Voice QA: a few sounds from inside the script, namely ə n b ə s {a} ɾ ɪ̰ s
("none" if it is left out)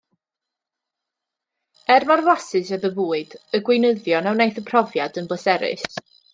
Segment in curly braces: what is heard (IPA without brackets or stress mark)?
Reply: ɛ